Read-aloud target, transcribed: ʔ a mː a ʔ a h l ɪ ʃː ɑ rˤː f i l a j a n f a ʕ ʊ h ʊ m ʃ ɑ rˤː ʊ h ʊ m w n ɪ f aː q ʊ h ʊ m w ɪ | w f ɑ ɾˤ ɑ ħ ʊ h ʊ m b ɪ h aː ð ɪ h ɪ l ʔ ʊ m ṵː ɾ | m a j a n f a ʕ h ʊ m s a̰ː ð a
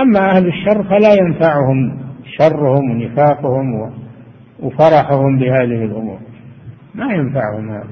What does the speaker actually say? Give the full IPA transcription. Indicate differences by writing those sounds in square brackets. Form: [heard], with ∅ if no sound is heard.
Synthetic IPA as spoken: ʔ a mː a ʔ a h l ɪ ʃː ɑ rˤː f [a] l a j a n f a ʕ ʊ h ʊ m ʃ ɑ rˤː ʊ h ʊ m w n ɪ f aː q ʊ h ʊ m w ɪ | w f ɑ ɾˤ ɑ ħ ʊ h ʊ m b ɪ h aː ð ɪ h ɪ l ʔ ʊ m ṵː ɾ | m a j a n f a ʕ h ʊ m [h] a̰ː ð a